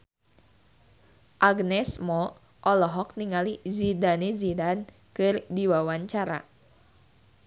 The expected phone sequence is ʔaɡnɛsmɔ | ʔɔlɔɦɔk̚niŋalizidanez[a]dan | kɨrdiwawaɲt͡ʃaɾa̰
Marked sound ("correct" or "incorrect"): incorrect